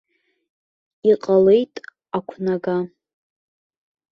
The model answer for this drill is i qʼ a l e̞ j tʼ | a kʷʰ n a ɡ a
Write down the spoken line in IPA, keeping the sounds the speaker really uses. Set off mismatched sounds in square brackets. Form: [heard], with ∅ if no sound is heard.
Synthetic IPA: i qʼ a l e̞ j tʼ | a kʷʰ n a ɡ a